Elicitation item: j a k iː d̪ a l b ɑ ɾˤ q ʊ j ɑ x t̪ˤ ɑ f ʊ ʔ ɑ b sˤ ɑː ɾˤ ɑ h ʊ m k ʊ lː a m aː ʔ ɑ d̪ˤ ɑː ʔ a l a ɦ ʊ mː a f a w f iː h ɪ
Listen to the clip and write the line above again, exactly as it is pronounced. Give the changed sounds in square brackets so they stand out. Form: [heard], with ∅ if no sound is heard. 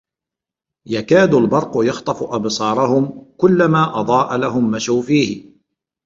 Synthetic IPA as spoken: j a k [aː] d̪ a l b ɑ ɾˤ q ʊ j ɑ x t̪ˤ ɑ f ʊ ʔ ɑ b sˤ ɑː ɾˤ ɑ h ʊ m k ʊ lː a m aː ʔ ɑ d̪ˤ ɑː ʔ a l a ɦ ʊ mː a [ʃ] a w f iː h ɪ